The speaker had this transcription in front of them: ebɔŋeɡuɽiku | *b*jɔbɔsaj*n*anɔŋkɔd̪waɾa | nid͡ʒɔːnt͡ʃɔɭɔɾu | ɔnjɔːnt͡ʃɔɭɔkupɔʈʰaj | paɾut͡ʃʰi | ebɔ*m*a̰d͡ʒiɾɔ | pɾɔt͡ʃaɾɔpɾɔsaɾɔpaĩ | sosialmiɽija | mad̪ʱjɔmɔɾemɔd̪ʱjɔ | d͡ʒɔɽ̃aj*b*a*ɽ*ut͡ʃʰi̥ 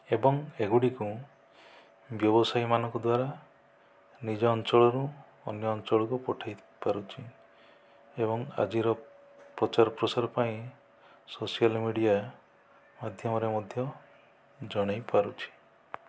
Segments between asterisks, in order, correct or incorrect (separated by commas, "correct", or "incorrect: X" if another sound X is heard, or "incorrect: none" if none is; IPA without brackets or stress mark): correct, incorrect: m, incorrect: ŋ, incorrect: p, incorrect: ɾ